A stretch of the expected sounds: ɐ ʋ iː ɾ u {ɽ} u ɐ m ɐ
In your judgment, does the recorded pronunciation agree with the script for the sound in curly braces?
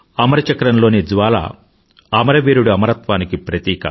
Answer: yes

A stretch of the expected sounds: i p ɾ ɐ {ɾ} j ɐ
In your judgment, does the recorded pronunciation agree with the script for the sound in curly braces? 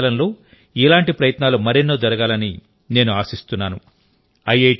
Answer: no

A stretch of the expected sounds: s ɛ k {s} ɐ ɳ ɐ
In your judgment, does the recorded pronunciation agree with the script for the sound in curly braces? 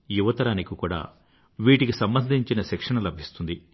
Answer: no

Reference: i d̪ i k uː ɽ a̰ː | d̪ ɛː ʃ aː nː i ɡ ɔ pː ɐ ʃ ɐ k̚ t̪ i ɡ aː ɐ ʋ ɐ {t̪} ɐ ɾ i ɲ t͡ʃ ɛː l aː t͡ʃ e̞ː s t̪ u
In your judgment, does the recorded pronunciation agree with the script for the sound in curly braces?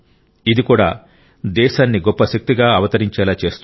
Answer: yes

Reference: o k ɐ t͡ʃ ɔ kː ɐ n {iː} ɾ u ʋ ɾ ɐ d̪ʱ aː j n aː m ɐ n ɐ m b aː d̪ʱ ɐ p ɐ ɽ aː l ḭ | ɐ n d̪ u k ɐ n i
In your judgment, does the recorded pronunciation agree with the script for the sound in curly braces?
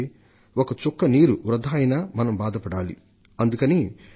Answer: yes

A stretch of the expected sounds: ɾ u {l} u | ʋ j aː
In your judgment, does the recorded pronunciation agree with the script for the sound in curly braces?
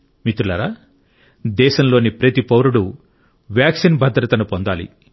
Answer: no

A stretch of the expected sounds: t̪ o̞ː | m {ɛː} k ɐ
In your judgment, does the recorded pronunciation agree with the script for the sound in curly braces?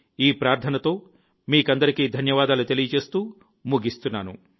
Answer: no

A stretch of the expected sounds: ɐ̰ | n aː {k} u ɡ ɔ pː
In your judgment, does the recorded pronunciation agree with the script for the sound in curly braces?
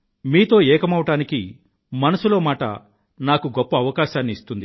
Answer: yes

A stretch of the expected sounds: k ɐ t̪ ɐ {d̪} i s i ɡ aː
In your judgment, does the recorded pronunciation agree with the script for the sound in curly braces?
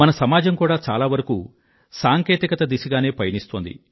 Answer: yes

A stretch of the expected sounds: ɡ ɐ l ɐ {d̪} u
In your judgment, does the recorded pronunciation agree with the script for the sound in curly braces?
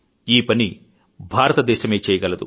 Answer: yes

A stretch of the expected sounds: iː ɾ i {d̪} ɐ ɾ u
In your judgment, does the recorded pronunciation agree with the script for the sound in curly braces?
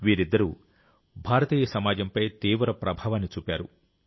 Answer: no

